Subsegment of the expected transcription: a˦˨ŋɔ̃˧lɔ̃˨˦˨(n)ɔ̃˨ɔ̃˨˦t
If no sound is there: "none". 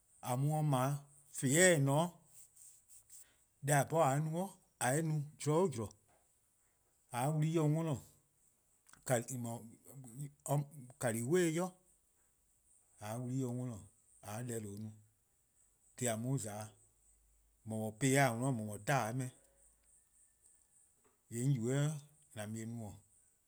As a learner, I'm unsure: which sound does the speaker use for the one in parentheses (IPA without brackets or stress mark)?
m